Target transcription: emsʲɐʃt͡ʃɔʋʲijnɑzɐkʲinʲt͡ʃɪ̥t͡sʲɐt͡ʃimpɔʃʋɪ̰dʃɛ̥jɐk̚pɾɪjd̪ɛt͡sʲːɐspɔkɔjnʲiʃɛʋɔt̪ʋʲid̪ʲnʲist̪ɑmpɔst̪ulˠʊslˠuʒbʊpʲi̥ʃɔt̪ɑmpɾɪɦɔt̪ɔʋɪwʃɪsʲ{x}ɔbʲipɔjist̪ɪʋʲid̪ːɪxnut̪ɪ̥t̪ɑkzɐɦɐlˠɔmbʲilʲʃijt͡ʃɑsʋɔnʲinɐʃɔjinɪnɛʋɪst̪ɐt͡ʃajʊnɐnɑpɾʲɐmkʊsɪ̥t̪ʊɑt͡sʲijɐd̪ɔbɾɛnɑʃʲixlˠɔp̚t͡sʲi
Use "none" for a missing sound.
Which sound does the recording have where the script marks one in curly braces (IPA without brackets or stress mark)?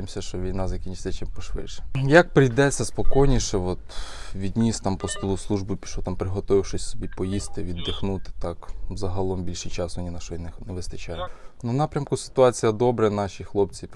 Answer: s